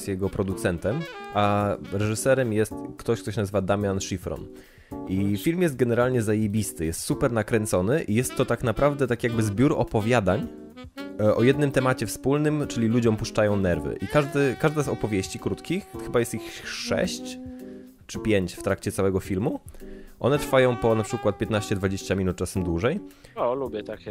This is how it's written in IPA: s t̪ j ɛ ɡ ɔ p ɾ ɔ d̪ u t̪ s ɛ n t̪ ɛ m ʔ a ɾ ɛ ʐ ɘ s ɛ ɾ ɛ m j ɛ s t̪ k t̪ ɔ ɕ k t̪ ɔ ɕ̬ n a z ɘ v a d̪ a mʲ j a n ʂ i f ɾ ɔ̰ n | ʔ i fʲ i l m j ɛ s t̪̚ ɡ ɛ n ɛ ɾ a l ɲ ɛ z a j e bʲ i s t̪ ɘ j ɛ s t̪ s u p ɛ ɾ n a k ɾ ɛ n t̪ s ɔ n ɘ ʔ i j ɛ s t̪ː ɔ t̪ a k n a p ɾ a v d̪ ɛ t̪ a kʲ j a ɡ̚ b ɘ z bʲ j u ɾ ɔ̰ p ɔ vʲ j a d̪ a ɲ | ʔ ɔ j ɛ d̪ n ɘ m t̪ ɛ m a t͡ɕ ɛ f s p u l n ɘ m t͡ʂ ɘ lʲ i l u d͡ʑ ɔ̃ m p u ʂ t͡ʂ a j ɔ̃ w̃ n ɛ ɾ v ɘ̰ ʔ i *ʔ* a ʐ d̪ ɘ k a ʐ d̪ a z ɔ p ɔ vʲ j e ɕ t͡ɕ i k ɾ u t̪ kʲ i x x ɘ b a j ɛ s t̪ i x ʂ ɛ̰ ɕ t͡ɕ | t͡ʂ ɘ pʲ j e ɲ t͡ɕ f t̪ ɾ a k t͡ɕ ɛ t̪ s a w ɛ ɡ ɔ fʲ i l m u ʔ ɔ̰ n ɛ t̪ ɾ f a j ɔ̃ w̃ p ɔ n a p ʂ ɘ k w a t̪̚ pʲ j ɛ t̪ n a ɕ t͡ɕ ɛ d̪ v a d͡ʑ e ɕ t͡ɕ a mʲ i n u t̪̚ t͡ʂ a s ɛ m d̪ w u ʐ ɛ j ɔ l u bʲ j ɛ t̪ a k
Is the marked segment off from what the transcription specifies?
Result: yes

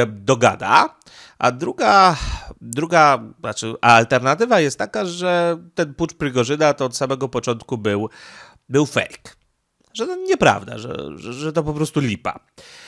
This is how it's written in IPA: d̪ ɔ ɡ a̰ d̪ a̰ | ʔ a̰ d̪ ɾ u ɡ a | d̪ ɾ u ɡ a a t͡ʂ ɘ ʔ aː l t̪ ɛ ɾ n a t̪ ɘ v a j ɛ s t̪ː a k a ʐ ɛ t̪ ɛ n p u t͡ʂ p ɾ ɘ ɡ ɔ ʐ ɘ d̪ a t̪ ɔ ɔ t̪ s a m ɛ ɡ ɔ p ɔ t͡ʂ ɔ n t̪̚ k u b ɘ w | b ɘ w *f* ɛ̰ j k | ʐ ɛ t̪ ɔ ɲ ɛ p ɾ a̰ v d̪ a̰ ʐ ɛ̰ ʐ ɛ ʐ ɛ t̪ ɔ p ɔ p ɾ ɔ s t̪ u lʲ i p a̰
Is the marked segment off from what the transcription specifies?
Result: no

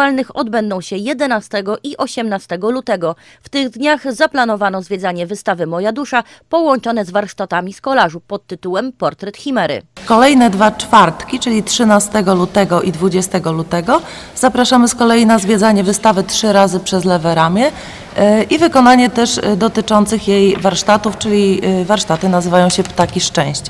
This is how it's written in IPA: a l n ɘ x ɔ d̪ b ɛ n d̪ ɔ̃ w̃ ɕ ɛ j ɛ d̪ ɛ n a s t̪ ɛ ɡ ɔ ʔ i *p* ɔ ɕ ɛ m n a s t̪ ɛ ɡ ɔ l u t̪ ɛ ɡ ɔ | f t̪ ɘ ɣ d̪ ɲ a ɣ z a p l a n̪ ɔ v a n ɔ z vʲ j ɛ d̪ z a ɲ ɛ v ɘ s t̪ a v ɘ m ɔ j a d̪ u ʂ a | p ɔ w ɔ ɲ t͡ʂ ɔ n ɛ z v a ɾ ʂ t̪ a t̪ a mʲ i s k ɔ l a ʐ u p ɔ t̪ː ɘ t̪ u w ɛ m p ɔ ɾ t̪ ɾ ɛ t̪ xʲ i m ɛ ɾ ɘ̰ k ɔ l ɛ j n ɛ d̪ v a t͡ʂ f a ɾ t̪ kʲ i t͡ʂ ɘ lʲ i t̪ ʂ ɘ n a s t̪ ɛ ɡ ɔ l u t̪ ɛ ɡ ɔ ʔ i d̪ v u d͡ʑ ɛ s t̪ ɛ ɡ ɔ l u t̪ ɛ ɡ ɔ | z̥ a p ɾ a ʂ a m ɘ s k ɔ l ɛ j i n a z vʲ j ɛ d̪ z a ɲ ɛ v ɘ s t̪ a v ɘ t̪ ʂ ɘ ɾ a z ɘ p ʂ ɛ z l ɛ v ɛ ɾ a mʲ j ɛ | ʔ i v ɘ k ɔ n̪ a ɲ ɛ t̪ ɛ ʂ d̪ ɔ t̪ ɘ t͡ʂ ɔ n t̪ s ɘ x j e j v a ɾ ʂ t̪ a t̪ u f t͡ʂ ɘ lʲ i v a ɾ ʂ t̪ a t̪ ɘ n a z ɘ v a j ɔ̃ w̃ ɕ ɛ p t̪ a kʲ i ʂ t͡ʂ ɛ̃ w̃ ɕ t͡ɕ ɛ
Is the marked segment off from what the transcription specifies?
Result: yes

